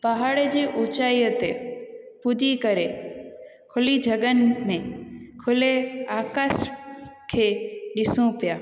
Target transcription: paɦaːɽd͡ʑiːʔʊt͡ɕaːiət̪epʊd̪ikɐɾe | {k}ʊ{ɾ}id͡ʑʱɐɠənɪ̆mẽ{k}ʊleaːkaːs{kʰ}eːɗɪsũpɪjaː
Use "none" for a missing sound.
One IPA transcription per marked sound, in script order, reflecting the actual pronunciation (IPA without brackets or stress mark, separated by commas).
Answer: kʰ, l, kʰ, kʰ